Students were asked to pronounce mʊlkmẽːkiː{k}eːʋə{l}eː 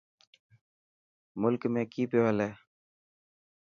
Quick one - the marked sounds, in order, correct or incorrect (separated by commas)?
incorrect, correct